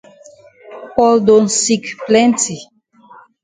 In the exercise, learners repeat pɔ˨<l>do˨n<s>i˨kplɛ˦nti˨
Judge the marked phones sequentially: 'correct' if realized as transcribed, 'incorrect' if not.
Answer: correct, correct

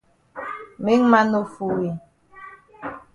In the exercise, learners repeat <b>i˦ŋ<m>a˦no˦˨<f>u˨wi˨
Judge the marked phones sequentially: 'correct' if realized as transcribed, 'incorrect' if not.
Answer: incorrect: m, correct, correct

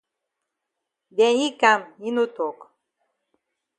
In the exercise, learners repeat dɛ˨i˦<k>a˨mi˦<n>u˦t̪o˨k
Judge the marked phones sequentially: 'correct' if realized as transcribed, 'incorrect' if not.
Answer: correct, correct

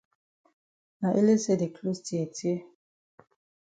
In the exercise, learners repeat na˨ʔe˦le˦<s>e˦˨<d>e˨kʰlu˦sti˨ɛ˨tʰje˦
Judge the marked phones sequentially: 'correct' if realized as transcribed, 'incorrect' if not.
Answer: correct, correct

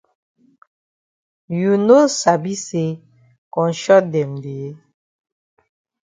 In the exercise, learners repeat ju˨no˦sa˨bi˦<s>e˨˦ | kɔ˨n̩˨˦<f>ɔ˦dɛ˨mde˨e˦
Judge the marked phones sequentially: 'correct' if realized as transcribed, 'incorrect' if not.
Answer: correct, incorrect: ʃ

